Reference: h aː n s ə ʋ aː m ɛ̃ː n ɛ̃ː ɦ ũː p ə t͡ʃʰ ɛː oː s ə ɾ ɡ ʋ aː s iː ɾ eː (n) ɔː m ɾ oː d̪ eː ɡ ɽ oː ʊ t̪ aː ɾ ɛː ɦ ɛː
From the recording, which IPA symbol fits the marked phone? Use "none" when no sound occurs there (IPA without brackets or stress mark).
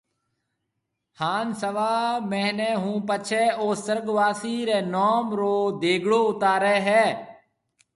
n